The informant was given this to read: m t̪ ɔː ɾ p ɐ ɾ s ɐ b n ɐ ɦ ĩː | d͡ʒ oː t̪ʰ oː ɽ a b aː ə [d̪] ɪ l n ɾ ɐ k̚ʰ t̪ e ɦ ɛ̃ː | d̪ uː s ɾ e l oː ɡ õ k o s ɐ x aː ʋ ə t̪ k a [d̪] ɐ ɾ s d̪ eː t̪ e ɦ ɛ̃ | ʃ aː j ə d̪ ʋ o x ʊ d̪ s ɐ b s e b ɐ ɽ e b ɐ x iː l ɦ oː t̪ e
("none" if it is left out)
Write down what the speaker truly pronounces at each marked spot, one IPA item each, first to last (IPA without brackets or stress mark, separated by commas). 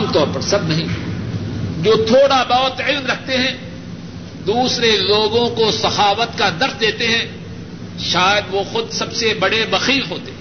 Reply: t̪, d̪